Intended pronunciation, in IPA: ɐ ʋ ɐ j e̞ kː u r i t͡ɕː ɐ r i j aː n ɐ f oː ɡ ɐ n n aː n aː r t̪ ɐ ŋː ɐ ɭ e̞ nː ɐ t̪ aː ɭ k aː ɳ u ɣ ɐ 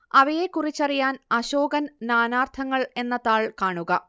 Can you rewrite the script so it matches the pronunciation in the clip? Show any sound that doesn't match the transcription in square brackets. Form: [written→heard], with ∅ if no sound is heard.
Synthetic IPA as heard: ɐ ʋ ɐ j e̞ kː u r i t͡ɕː ɐ r i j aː n ɐ [f→ɕ] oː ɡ ɐ n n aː n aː r [t̪→t̪ʰ] ɐ ŋː ɐ ɭ e̞ nː ɐ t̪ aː ɭ k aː ɳ u ɣ ɐ